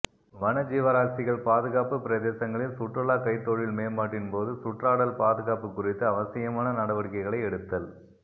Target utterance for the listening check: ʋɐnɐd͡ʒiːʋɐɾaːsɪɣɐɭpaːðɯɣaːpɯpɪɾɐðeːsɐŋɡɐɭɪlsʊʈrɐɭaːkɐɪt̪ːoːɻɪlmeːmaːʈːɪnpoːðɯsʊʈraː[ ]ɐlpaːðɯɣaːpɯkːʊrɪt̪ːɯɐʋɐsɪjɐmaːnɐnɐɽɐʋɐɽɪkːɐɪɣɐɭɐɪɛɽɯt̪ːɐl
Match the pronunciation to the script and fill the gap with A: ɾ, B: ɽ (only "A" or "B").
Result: B